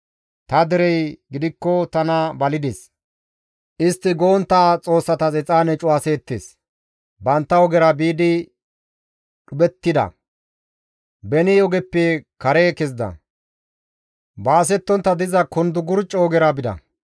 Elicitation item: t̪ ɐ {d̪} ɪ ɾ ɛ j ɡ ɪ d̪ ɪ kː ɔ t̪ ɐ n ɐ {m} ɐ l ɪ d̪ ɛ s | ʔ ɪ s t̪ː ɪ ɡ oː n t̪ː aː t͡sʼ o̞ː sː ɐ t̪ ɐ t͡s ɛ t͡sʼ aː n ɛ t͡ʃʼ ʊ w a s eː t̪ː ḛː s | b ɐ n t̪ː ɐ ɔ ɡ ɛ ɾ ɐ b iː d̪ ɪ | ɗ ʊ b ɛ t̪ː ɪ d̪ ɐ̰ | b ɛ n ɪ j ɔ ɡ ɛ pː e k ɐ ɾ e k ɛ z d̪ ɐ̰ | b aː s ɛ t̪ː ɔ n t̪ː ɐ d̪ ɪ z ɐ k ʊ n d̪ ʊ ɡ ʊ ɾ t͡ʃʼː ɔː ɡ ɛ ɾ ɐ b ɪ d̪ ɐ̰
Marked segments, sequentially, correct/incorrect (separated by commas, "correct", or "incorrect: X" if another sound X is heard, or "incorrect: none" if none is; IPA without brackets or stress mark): correct, incorrect: b